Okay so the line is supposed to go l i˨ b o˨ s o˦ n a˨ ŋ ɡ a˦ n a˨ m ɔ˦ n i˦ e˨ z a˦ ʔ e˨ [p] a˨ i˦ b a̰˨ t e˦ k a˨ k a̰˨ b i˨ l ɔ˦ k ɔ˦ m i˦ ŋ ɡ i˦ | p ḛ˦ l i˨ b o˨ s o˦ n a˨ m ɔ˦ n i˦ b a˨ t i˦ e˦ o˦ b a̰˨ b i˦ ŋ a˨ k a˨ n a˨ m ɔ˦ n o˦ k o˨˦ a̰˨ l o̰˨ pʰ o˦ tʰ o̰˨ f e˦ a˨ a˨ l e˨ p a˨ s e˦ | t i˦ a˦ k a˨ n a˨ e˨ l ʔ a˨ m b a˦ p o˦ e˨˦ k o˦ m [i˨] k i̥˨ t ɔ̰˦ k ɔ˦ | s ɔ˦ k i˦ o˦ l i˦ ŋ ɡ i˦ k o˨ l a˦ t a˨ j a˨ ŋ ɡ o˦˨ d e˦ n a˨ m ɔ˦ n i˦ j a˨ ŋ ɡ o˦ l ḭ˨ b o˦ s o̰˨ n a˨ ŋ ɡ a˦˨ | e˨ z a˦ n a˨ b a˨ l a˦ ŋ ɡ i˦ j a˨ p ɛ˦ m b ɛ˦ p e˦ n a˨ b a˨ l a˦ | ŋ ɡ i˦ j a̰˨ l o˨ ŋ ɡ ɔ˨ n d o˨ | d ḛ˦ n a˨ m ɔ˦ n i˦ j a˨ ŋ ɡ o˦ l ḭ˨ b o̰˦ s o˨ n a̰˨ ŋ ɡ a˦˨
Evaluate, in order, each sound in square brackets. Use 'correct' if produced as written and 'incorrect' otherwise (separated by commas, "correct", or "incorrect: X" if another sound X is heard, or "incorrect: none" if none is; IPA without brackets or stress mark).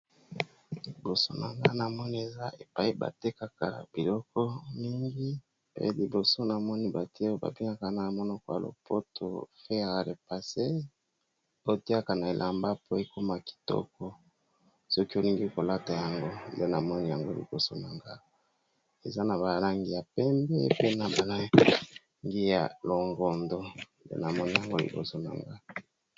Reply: correct, incorrect: a˨